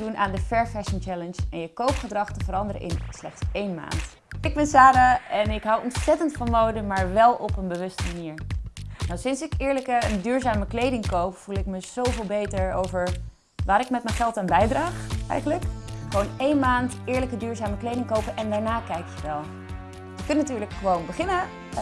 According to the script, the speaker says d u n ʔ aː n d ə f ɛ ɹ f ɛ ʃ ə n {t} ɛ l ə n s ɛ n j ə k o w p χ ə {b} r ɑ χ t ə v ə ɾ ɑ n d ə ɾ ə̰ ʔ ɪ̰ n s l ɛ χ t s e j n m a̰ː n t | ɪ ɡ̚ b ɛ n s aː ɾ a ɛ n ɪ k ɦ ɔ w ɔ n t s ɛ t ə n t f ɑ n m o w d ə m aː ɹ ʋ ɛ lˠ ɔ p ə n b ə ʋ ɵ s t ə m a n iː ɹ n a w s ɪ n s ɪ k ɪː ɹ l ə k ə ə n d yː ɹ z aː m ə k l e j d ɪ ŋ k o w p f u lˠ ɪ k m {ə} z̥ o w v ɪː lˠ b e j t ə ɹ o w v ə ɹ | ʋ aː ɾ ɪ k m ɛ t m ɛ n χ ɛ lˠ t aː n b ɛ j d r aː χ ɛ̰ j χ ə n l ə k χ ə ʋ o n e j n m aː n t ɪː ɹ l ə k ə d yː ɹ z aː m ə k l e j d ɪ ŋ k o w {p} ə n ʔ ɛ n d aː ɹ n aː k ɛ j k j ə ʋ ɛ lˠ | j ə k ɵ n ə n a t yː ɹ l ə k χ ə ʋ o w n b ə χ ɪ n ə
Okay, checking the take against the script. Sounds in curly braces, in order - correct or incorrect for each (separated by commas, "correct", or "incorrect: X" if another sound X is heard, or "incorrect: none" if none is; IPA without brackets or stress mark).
incorrect: t͡ʃ, incorrect: d, correct, correct